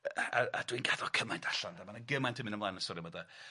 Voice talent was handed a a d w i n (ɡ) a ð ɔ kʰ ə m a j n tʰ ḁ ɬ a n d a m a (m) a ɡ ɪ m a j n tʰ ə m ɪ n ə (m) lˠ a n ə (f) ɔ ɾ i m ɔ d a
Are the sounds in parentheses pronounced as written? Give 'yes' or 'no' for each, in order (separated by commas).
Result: yes, no, yes, no